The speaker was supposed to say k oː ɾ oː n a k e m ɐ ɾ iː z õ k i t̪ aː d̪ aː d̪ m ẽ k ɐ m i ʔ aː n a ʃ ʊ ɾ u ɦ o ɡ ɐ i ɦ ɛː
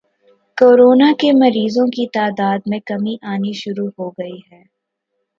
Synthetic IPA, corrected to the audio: k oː ɾ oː n a k e m ɐ ɾ iː z õ k i t̪ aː d̪ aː d̪ m ẽ k ɐ m i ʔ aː n i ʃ ʊ ɾ u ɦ o ɡ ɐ i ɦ ɛː